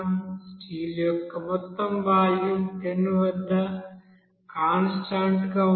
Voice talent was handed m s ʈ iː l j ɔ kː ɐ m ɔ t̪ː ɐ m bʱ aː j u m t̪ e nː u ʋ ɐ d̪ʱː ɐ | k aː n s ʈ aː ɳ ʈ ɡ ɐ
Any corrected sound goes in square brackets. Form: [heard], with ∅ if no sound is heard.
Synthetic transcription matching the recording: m s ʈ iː l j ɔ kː ɐ m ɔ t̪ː ɐ m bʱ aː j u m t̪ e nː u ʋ ɐ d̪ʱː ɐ | k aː n s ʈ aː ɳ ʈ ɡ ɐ

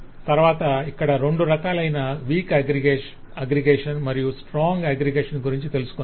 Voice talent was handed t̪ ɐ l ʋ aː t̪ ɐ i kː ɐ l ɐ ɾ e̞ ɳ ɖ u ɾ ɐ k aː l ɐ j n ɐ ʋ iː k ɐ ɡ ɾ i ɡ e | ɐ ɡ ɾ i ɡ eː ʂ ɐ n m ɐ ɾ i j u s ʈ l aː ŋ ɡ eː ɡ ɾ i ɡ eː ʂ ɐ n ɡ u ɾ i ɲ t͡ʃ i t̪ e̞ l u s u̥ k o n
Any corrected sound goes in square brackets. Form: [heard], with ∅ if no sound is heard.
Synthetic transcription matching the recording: t̪ ɐ [ɾ] ʋ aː t̪ ɐ i kː ɐ [ɽ] ɐ ɾ e̞ ɳ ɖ u ɾ ɐ k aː l ɐ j n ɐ ʋ iː k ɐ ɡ ɾ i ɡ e | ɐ ɡ ɾ i ɡ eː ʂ ɐ n m ɐ ɾ i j u s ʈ [ɾ] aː ŋ ɡ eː ɡ ɾ i ɡ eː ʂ ɐ n ɡ u ɾ i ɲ t͡ʃ i t̪ e̞ l u s u̥ k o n

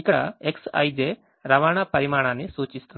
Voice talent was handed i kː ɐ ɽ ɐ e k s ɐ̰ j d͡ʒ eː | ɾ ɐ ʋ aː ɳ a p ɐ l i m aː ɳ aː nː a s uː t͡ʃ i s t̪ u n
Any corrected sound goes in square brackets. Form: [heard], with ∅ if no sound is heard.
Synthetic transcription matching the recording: i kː ɐ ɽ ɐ e k s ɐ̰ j d͡ʒ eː | ɾ ɐ ʋ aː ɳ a p ɐ [ɾ] i m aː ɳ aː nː [i] s uː t͡ʃ i s t̪ u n

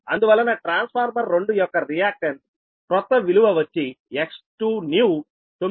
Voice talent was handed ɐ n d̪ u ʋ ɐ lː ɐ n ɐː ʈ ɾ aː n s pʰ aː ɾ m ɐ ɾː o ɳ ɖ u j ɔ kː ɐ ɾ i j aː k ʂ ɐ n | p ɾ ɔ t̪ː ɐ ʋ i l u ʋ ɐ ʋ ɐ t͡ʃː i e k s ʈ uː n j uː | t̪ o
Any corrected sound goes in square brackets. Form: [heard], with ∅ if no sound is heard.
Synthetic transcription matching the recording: ɐ n d̪ u ʋ ɐ lː ɐ n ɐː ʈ ɾ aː n s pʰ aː ɾ m ɐ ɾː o ɳ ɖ u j ɔ kː ɐ ɾ i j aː k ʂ ɐ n | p ɾ ɔ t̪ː ɐ ʋ i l u ʋ ɐ ʋ ɐ t͡ʃː i e k s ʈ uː n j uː | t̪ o

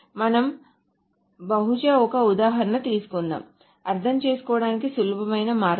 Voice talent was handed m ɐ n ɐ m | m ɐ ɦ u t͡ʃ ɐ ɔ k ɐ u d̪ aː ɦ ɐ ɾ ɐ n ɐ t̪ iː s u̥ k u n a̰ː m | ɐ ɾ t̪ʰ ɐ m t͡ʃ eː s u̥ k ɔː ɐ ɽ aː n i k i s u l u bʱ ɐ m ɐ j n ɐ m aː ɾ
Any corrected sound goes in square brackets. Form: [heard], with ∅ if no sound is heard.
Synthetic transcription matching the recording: m ɐ n ɐ m | [b] ɐ ɦ u t͡ʃ ɐ ɔ k ɐ u d̪ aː ɦ ɐ ɾ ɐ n ɐ t̪ iː s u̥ k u [nː] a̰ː m | ɐ ɾ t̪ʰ ɐ m t͡ʃ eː s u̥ k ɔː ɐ ɽ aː n i k i s u l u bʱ ɐ m ɐ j n ɐ m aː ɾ

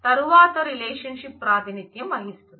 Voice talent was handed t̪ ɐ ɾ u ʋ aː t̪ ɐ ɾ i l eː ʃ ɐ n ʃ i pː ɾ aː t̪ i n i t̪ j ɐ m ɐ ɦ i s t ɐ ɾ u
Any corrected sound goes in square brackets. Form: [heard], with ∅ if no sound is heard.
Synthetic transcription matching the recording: t̪ ɐ ɾ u ʋ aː t̪ ɐ ɾ i l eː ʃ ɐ n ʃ i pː ɾ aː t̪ i n i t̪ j ɐ m ɐ ɦ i s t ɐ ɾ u

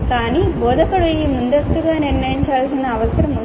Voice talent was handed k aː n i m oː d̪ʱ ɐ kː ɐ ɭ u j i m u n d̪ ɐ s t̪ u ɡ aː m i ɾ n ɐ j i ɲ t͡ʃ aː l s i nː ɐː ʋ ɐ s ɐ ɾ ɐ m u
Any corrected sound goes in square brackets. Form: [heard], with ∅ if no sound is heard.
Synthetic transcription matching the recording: k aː n i [b] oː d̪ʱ ɐ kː ɐ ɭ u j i m u n d̪ ɐ s t̪ u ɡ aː [n] i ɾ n ɐ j i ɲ t͡ʃ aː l s i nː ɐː ʋ ɐ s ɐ ɾ ɐ m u

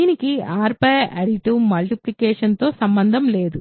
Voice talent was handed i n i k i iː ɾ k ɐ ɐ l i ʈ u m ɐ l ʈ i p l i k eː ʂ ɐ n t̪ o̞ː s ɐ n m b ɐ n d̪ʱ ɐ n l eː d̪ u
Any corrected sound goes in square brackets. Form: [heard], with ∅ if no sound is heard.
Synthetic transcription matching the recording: i n i k i [aː] ɾ [p] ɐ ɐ [ɽ] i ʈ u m ɐ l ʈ i p l i k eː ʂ ɐ n t̪ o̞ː s ɐ [∅] m b ɐ n d̪ʱ ɐ [m] l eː d̪ u

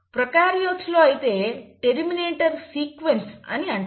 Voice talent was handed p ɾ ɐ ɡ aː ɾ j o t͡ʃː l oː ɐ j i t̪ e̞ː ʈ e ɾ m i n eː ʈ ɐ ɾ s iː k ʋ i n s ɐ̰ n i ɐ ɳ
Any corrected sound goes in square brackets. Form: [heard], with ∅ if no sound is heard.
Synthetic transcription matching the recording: p ɾ ɐ [k] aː ɾ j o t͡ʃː l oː ɐ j i t̪ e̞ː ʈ e ɾ m i n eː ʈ ɐ ɾ s iː k ʋ [e] n s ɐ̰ n i ɐ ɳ

